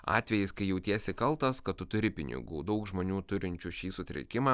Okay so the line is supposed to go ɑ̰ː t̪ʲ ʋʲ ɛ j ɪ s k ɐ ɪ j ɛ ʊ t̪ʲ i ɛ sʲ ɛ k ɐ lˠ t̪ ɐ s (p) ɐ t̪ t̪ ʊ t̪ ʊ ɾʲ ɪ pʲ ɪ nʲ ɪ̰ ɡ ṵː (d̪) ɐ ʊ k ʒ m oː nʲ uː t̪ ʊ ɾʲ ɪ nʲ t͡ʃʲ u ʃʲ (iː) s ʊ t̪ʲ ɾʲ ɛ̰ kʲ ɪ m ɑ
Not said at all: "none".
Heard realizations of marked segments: k, d̪, iː

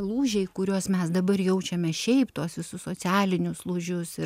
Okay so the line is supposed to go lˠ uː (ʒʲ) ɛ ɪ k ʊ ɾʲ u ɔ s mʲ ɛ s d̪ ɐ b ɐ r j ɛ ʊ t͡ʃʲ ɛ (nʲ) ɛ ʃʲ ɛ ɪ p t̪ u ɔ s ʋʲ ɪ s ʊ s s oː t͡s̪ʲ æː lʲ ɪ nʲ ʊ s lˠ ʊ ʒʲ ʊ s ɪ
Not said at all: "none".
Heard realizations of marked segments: ʒʲ, mʲ

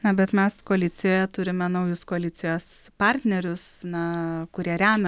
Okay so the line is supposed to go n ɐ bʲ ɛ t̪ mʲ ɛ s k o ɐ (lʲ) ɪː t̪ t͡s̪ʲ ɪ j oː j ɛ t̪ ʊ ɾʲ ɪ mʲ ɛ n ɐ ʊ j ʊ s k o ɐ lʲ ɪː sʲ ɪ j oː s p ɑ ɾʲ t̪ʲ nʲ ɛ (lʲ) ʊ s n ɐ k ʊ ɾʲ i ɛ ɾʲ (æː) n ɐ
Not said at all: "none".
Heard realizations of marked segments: lʲ, ɾʲ, æː

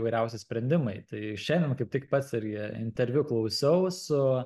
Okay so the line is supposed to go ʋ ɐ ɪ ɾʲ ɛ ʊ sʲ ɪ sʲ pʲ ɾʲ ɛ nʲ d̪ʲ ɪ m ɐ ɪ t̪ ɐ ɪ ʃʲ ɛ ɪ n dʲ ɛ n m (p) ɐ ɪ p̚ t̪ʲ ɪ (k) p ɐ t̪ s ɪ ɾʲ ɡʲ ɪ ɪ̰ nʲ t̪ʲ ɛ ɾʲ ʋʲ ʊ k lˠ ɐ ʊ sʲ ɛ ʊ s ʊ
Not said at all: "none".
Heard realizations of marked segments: k, k

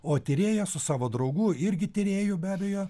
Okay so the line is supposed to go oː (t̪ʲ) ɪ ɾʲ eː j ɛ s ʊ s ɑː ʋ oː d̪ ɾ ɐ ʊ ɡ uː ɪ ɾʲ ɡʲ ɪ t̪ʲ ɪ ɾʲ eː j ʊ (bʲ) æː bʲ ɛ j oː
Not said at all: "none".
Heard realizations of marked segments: t̪ʲ, bʲ

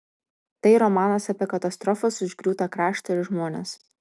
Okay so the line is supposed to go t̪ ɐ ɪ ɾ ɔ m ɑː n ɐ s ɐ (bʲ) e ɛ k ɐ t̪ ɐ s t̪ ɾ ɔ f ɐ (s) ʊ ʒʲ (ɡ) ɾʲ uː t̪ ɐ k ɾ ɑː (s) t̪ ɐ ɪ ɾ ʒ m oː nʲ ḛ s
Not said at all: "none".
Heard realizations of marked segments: pʲ, s, ɡ, ʃ

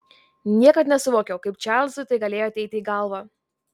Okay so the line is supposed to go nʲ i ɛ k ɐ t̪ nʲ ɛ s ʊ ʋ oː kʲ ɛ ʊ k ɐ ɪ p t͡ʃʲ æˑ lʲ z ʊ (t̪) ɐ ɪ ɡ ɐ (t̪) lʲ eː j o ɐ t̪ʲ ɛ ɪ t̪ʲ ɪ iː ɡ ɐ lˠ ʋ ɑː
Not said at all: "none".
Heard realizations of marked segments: t̪, none

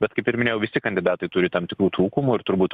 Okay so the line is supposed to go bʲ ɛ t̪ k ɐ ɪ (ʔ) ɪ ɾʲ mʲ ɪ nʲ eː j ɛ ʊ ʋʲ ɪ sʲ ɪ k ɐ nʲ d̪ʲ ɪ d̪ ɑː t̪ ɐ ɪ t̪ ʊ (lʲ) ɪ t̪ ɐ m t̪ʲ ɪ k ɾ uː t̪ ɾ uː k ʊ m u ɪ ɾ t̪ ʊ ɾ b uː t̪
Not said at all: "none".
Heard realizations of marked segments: p, ɾʲ

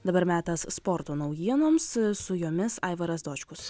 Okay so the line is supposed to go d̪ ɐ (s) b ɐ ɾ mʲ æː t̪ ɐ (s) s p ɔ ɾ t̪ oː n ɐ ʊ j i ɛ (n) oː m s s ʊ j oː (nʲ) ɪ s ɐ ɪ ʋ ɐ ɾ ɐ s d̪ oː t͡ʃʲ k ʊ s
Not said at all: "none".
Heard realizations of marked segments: none, s, n, mʲ

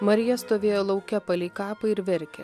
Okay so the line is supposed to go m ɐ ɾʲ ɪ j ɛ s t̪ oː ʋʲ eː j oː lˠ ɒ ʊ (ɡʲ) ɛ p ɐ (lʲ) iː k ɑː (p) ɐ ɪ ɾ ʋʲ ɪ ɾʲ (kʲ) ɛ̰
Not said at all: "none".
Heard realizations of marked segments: kʲ, lʲ, p, kʲ

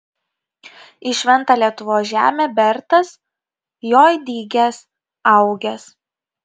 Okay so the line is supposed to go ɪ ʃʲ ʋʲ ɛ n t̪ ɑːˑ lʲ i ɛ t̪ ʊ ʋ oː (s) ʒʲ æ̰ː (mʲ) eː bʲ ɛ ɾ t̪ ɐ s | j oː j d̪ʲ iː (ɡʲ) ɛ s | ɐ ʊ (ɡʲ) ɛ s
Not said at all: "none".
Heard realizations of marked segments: s, mʲ, ɡʲ, ɡʲ

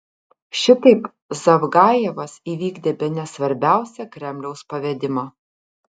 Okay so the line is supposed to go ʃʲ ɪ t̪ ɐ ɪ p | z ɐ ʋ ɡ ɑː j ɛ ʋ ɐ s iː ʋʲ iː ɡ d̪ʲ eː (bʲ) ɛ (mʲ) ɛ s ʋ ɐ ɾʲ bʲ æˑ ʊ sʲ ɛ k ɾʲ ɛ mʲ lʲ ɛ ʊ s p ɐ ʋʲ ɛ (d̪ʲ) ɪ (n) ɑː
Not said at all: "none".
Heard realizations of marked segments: bʲ, nʲ, d̪ʲ, m

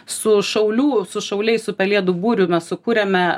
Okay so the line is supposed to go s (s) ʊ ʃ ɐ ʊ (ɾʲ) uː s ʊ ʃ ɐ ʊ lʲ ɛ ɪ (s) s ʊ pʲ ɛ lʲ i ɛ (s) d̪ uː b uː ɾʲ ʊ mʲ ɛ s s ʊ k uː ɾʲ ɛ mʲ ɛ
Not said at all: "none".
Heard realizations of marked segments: s, lʲ, s, none

